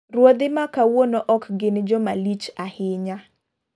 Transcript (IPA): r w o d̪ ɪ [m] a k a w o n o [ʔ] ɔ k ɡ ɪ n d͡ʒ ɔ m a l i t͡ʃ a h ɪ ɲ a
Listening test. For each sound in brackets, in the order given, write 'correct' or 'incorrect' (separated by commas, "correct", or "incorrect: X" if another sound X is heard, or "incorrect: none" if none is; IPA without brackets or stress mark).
correct, correct